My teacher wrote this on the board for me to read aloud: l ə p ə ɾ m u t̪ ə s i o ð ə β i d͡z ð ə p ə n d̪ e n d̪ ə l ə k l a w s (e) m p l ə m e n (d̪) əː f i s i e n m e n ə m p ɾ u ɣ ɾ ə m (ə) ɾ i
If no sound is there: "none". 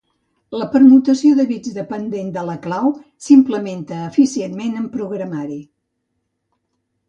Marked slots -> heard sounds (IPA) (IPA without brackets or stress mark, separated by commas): i, t̪, a